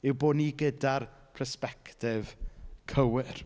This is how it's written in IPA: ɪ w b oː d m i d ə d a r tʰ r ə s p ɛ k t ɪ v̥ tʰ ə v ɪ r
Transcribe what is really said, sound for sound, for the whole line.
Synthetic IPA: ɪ w b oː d n i ɡ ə d a r pʰ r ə s p ɛ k t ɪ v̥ kʰ ə w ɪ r